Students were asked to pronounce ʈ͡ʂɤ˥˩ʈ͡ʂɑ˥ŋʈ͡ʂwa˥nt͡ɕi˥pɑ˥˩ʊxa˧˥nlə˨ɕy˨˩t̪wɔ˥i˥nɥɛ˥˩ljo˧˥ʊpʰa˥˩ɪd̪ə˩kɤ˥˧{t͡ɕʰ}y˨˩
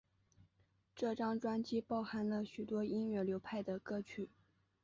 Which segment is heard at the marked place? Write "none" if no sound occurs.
t͡ɕʰ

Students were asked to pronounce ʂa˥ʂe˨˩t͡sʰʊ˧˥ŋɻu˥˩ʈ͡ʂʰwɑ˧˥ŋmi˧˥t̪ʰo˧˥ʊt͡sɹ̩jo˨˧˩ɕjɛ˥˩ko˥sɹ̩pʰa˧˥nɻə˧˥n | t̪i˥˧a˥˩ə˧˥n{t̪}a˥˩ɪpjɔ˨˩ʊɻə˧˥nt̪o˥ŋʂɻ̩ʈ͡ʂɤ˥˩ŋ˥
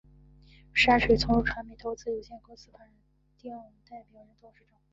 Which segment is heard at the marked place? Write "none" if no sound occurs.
t̪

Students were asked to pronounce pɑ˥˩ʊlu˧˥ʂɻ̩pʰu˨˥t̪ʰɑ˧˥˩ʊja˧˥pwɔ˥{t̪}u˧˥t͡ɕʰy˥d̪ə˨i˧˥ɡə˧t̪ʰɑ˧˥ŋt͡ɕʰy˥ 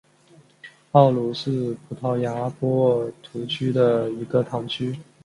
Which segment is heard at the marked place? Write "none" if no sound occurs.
t̪ʰ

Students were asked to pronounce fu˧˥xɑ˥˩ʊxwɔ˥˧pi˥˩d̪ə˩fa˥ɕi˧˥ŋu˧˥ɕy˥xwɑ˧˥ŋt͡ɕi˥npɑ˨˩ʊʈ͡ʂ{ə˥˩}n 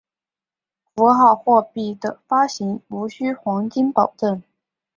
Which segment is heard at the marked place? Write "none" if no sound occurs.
ə˥˩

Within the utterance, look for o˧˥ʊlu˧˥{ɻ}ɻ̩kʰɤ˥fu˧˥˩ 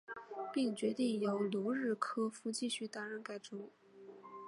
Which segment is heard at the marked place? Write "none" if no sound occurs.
ɻ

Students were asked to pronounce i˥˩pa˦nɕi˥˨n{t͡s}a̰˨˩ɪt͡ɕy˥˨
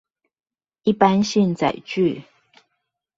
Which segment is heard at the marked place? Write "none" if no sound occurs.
t͡s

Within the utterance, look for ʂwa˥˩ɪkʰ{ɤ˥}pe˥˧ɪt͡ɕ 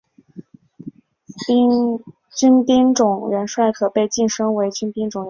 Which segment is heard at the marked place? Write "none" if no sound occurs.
ɤ˨˩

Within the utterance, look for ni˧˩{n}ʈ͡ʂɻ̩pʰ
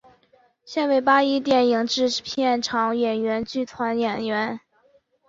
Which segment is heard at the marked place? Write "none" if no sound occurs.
ŋ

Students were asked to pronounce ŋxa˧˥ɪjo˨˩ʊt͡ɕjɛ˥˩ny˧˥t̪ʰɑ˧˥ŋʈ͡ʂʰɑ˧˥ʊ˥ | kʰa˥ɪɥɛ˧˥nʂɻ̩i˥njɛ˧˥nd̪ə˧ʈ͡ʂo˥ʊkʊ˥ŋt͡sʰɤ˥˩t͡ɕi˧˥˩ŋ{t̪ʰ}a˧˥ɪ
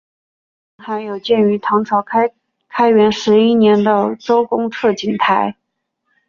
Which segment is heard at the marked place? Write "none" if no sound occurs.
t̪ʰ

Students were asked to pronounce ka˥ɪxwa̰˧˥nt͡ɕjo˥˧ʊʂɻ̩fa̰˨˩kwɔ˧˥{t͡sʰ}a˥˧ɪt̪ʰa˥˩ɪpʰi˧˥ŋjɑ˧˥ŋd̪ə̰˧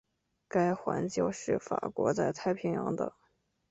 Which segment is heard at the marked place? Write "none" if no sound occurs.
t͡s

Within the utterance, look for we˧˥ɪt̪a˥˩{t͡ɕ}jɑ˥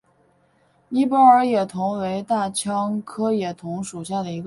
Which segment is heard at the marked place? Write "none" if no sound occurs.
t͡ɕʰ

